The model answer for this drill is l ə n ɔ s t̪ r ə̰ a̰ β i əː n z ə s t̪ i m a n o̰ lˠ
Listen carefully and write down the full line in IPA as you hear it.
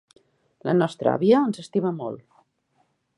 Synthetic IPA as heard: l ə n ɔ s t̪ ɾ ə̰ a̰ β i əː n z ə s t̪ i m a m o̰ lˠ